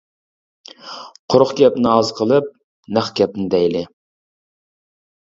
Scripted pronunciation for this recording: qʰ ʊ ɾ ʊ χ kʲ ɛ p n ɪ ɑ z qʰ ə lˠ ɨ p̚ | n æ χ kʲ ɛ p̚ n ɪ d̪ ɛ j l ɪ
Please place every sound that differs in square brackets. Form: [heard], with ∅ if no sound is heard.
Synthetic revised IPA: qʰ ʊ ɾ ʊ χ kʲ ɛ p n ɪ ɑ z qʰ ə lˠ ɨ p̚ | n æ χ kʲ ɛ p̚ n ɪ d̪ ɛ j l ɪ